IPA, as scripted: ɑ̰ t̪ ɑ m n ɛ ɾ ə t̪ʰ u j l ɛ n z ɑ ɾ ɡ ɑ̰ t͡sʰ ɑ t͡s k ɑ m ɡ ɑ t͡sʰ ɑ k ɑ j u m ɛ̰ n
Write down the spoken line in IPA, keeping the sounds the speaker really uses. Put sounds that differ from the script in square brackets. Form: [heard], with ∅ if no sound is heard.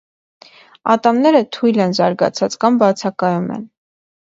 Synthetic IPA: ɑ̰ t̪ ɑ m n ɛ ɾ ə t̪ʰ u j l ɛ n z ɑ ɾ ɡ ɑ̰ t͡sʰ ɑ t͡s k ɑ m [b] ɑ t͡sʰ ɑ k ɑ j u m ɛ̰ n

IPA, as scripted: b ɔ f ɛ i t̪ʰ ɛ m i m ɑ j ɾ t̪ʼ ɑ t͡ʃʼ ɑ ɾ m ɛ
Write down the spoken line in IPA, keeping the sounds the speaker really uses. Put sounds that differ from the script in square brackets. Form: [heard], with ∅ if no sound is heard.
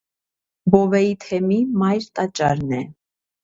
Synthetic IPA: b ɔ [v] ɛ i t̪ʰ ɛ m i m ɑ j ɾ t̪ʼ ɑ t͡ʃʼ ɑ ɾ [n] ɛ

